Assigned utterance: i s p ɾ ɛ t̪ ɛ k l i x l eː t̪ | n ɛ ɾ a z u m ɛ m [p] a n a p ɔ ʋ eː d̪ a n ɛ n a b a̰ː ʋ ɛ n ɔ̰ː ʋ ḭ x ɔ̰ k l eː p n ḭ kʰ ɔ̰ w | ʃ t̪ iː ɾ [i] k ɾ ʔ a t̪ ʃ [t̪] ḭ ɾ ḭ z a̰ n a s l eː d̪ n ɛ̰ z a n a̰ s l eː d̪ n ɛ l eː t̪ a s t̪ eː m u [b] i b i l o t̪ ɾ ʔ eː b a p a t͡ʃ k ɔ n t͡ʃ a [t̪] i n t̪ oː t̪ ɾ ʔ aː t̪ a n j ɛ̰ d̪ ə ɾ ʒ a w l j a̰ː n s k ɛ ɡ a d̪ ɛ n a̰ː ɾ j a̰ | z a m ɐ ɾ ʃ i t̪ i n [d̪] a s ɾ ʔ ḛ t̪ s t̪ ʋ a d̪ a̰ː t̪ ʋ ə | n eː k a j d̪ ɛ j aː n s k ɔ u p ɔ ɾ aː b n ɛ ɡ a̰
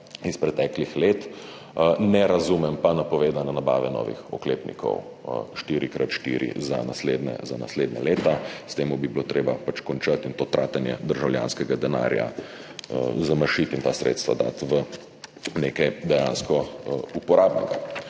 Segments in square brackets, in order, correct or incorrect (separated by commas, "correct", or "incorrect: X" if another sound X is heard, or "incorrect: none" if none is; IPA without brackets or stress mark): correct, correct, correct, correct, correct, incorrect: t̪